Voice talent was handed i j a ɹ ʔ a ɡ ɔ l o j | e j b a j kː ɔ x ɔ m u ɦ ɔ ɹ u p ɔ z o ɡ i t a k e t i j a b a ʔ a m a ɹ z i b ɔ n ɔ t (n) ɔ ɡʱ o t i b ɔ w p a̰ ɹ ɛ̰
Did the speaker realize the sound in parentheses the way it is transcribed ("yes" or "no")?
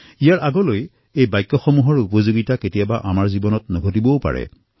yes